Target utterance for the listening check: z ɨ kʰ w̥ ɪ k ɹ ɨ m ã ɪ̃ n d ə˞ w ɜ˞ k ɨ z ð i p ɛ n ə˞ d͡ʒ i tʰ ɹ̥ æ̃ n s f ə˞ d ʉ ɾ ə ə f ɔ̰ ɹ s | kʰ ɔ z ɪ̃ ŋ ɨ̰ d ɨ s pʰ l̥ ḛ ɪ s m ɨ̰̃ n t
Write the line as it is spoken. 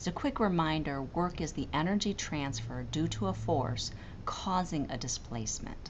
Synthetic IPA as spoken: z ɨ kʰ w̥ ɪ k ɹ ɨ m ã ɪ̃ n d ə˞ w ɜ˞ k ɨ z ð i ʔ ɛ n ə˞ d͡ʒ i tʰ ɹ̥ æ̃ n s f ə˞ d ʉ ɾ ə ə f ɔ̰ ɹ s | kʰ ɔ z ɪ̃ ŋ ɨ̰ d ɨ s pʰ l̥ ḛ ɪ s m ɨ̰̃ n t

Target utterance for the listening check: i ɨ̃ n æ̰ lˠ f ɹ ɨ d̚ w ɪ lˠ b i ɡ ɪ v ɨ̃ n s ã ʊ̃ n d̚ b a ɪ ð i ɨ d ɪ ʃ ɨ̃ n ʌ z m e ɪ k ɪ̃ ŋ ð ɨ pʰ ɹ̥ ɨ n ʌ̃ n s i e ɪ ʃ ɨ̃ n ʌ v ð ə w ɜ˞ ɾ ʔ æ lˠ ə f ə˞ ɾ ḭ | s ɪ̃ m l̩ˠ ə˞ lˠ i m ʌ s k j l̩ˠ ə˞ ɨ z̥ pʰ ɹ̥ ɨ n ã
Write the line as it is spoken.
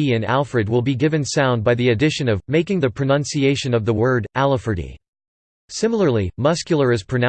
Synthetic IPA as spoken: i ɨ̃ n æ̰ lˠ f ɹ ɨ d̚ w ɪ lˠ b i ɡ ɪ v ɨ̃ n s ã ʊ̃ n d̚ b a ɪ ð i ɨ d ɪ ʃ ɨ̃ n ʌ v m e ɪ k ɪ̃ ŋ ð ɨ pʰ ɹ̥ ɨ n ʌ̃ n s i e ɪ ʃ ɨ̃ n ʌ v ð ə w ɜ˞ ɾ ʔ æ lˠ ə f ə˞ ɾ ḭ | s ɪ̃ m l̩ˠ ə˞ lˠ i m ʌ s k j l̩ˠ ə˞ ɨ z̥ pʰ ɹ̥ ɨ n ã

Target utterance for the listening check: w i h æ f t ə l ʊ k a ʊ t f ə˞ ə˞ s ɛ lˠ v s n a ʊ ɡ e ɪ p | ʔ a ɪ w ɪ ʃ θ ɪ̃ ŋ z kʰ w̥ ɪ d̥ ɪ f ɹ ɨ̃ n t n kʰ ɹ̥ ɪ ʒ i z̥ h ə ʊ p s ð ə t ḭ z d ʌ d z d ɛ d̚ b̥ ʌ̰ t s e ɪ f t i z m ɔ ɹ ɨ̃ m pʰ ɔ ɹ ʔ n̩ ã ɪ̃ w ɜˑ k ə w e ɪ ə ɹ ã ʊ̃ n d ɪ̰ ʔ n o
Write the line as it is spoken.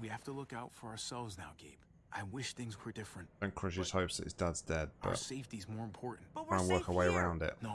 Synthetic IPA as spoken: w i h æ f t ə l ʊ k a ʊ t f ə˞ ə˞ s ɛ lˠ v z n a ʊ ɡ e ɪ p | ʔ a ɪ w ɪ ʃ θ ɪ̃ ŋ z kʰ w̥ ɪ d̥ ɪ f ɹ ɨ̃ n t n kʰ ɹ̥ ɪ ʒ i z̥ h ə ʊ p s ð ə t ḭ z d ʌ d z d ɛ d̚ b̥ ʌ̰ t s e ɪ f t i z m ɔ ɹ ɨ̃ m pʰ ɔ ɹ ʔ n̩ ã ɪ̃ w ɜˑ k ə w e ɪ ə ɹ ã ʊ̃ n d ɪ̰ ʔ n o

